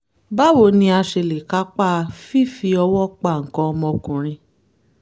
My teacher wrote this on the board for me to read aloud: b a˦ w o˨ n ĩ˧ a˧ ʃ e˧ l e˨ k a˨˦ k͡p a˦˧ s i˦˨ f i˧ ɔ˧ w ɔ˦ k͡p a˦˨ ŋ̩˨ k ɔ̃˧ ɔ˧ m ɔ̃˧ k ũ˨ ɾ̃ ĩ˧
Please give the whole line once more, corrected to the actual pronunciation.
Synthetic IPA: b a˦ w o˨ n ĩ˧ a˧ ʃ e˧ l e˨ k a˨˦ k͡p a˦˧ f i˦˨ f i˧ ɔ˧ w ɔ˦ k͡p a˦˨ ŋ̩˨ k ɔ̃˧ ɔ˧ m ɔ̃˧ k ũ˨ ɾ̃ ĩ˧